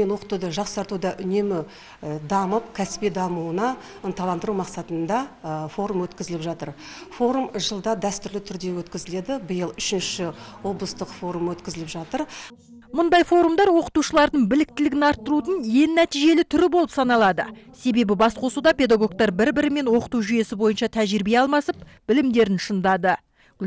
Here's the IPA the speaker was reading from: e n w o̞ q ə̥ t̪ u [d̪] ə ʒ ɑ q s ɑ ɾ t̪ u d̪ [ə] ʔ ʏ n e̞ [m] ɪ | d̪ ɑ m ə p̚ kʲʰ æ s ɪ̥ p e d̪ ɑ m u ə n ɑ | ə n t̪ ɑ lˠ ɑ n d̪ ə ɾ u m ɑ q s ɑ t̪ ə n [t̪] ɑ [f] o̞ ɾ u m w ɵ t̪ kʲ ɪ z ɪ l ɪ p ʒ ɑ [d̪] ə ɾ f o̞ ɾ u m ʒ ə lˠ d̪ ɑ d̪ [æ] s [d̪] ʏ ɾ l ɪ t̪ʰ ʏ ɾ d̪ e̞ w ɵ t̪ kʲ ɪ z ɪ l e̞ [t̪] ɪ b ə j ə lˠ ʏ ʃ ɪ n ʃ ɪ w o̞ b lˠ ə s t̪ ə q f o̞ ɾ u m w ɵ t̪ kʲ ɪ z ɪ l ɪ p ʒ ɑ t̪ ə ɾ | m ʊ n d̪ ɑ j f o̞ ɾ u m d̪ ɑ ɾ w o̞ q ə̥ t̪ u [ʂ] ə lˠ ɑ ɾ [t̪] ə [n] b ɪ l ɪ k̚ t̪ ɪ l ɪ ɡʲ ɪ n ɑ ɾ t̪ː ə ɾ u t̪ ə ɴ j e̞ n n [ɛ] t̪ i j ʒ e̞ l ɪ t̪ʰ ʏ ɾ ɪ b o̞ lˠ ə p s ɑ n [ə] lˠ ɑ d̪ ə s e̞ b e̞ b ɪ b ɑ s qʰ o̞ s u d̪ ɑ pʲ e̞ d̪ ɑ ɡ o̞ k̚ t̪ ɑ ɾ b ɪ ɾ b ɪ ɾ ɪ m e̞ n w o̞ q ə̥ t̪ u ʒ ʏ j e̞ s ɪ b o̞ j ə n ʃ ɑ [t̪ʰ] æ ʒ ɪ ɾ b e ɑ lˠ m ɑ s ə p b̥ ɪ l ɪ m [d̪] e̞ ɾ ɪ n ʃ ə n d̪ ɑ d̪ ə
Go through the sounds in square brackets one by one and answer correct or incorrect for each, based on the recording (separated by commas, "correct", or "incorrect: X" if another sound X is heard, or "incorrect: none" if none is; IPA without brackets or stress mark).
correct, incorrect: ɑ, correct, incorrect: d̪, correct, incorrect: t̪, correct, incorrect: t̪, incorrect: d̪, incorrect: ʃ, incorrect: d̪, incorrect: ɴ, incorrect: æ, incorrect: ɑ, correct, correct